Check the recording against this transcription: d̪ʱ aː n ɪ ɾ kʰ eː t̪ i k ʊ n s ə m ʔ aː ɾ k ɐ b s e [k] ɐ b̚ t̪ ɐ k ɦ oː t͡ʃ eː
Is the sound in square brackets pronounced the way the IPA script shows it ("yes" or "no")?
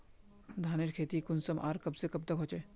yes